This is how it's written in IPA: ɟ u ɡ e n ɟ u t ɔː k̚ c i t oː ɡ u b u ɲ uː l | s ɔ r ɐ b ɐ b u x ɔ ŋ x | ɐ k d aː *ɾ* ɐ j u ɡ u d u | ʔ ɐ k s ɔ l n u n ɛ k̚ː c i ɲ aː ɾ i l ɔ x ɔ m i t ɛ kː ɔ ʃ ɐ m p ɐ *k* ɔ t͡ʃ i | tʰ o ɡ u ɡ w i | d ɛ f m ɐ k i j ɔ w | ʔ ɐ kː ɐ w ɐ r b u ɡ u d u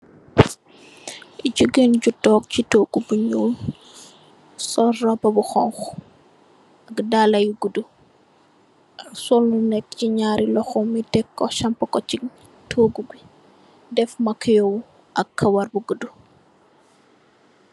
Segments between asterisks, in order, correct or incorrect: incorrect: l, correct

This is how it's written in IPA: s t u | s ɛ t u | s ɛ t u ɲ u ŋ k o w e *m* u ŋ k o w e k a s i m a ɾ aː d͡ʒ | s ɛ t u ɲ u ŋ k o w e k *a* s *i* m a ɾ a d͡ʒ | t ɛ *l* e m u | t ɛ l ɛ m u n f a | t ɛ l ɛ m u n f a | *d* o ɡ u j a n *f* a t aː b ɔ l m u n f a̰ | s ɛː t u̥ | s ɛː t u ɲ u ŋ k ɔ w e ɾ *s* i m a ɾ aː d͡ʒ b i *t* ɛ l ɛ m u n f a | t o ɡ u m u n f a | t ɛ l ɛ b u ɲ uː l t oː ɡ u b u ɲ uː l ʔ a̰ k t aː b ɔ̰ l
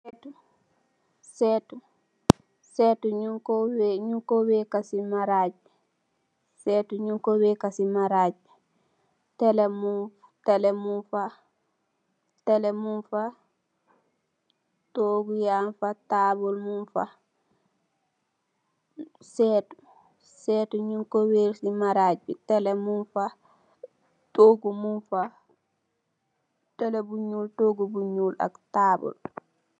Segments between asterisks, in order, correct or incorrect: incorrect: ɲ, correct, correct, correct, incorrect: t, correct, correct, correct

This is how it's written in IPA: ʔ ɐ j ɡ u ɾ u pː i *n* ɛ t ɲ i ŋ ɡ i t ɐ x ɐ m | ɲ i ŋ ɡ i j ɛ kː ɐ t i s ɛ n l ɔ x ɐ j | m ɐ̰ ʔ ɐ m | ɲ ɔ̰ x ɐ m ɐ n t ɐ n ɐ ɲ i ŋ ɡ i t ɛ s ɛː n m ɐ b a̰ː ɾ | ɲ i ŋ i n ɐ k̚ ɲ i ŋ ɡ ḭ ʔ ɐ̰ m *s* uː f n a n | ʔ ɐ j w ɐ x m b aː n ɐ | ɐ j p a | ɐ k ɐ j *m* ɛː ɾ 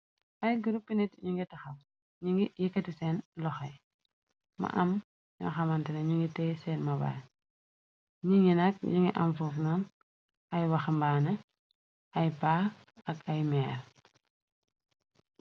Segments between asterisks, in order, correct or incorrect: correct, incorrect: f, correct

